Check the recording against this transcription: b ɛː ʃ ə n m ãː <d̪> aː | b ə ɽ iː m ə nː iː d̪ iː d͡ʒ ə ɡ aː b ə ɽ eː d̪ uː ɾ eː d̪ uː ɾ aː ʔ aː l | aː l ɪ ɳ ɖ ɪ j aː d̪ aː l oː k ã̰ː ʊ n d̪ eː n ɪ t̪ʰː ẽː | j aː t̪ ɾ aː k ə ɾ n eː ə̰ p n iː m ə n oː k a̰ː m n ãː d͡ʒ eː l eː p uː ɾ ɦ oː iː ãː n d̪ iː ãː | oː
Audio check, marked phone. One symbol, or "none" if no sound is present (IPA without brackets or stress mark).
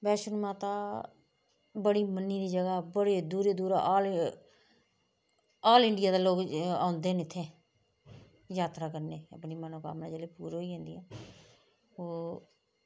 t̪